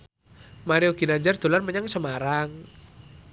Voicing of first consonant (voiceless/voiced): voiced